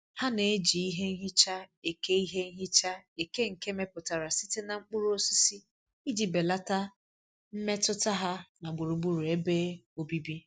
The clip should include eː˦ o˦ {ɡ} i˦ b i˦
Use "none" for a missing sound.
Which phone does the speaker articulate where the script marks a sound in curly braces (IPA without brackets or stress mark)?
b